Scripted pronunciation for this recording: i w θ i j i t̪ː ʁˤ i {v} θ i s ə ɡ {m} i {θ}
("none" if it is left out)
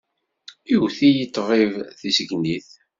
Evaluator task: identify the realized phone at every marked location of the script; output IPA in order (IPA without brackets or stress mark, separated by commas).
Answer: v, n, θ